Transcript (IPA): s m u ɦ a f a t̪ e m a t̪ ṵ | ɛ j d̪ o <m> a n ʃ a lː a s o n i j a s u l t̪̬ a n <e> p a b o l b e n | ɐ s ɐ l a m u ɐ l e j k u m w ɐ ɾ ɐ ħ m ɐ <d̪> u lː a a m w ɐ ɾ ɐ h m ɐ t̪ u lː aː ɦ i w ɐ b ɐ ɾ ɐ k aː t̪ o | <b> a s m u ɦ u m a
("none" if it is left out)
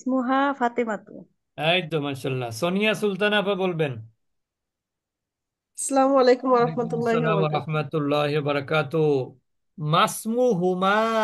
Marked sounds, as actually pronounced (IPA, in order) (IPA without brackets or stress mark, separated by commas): m, a, t̪, m